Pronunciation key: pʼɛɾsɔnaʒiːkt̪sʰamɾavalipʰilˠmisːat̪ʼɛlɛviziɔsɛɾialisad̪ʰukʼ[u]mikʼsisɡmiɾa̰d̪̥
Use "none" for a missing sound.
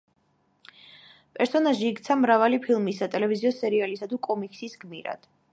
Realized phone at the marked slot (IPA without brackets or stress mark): ɔ